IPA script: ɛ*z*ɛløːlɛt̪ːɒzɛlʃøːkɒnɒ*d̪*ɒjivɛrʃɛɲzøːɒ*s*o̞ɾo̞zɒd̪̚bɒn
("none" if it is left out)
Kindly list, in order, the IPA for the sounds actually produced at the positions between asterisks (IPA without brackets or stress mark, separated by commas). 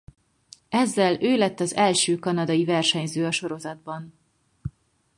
zː, d̪, ʃ